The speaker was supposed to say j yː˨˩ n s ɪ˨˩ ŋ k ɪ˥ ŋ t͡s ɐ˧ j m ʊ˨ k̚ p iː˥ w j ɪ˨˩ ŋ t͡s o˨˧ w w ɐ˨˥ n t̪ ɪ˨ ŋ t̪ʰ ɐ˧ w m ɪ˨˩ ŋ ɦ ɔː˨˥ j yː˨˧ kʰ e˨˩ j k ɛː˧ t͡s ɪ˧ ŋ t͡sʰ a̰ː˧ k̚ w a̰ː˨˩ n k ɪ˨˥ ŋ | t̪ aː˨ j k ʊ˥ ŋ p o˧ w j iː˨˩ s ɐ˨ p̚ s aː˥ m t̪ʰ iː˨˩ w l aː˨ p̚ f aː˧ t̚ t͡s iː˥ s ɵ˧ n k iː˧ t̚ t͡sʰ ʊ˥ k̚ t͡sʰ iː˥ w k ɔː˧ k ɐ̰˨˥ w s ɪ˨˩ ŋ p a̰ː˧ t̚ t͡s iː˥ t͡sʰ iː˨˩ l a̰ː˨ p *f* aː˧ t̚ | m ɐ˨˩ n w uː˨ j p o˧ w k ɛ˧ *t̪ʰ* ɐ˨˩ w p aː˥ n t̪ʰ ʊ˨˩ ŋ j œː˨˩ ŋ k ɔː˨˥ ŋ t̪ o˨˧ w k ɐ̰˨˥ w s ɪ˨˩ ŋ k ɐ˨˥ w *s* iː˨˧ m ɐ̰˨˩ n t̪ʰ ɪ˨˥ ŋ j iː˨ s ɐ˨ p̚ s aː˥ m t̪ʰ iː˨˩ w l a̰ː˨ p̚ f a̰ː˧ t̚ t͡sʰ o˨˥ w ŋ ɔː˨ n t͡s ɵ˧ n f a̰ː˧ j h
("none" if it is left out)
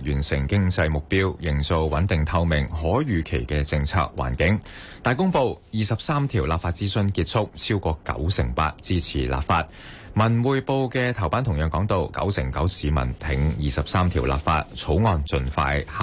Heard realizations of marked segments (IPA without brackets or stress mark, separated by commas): f, t̪ʰ, s